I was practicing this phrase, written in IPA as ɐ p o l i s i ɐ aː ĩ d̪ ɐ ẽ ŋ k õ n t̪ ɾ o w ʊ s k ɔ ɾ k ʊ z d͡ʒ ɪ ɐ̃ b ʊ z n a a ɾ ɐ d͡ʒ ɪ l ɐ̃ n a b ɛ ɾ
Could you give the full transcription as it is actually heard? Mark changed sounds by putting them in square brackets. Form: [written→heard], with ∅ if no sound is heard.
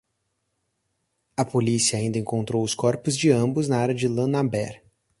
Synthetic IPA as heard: ɐ p o l i s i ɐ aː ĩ d̪ ɐ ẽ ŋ k õ n t̪ ɾ o w ʊ s k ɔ ɾ [k→p] ʊ z d͡ʒ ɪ ɐ̃ b ʊ z n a a ɾ ɐ d͡ʒ ɪ l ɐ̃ n a b ɛ ɾ